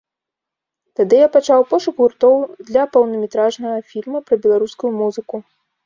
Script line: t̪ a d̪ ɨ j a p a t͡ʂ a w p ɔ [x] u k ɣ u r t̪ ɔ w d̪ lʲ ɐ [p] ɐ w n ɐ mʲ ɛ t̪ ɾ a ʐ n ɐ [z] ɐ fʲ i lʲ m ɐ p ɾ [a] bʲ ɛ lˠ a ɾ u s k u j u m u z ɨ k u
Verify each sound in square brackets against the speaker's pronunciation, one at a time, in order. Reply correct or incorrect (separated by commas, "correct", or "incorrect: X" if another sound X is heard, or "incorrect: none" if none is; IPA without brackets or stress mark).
incorrect: ʂ, correct, incorrect: ɣ, incorrect: ɐ